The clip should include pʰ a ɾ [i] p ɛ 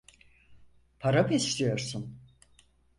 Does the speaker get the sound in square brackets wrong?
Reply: yes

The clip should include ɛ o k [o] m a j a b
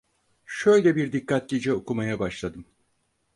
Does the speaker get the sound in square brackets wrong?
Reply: yes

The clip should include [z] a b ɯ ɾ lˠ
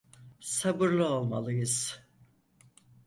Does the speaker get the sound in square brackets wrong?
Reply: yes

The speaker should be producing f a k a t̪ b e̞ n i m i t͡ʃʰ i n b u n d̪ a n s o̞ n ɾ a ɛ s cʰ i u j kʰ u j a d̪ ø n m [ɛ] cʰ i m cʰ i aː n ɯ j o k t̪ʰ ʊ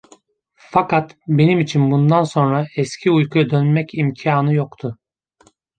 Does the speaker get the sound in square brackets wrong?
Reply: no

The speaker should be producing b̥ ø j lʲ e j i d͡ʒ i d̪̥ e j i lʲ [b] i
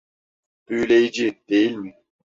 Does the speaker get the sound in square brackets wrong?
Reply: yes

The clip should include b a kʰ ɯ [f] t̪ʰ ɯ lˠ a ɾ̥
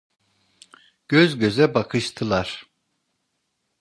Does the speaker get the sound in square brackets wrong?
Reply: yes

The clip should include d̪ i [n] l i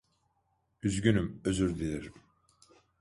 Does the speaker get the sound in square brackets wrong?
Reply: yes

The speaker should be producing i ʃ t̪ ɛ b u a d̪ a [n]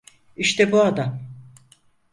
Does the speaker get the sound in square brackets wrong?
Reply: yes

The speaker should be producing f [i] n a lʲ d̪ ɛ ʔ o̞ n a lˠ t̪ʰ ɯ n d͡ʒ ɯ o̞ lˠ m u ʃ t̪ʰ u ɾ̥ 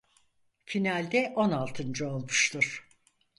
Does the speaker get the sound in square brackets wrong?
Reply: no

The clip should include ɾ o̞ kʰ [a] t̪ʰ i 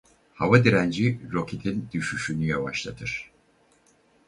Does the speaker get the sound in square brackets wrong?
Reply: yes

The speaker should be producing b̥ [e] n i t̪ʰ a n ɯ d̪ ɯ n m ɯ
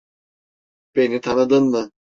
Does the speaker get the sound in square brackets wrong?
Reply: no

